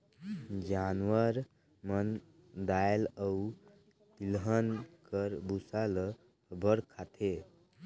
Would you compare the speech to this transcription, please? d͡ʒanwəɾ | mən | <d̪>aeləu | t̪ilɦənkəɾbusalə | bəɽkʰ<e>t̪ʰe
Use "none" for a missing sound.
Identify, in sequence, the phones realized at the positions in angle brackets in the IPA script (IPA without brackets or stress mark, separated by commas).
d̪, a